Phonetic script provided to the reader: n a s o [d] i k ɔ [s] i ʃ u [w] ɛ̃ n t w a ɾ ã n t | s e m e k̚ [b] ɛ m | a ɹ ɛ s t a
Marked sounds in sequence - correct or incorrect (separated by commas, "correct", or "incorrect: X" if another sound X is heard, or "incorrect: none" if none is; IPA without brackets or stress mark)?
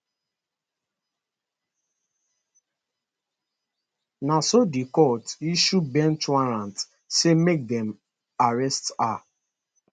correct, incorrect: t, incorrect: b, incorrect: d